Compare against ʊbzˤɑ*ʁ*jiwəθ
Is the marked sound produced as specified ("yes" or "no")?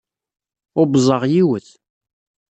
yes